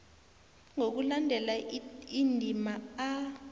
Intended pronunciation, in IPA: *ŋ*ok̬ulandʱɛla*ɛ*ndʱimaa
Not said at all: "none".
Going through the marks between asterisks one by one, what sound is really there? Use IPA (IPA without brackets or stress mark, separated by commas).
ŋ, i